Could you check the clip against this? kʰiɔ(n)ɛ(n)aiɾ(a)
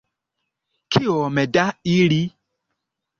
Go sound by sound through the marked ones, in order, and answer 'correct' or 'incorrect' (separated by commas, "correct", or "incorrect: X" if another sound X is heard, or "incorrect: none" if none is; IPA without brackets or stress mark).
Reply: incorrect: m, incorrect: d, incorrect: i